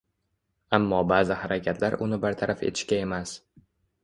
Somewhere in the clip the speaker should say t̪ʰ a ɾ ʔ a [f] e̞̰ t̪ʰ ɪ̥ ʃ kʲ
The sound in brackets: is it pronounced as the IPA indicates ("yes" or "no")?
yes